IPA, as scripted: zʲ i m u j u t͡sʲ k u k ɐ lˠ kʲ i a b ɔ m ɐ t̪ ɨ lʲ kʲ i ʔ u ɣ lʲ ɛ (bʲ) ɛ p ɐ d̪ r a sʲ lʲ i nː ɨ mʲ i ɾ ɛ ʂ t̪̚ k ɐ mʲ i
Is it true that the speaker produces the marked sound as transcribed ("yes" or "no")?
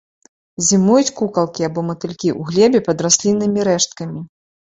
yes